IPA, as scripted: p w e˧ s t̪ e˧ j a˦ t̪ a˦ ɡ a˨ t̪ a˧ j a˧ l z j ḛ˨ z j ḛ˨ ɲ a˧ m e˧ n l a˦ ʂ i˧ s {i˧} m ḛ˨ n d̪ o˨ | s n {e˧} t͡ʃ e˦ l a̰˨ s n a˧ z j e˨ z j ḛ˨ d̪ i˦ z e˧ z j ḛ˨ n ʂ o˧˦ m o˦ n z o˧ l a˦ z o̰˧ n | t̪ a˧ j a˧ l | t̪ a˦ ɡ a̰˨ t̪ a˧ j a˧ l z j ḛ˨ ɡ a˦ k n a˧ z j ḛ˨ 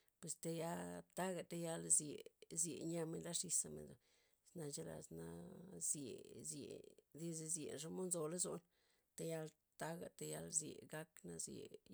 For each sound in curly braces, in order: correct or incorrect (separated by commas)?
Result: incorrect, incorrect